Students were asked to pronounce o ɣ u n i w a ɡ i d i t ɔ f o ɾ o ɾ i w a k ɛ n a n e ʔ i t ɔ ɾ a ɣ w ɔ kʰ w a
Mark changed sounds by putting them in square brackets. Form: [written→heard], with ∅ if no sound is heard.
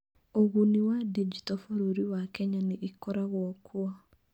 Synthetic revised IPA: o ɣ u n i w a [ɡ→d] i [d→d͡ʒ] i t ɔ f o ɾ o ɾ i w a k ɛ [n→ɲ] a n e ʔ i [t→k] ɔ ɾ a ɣ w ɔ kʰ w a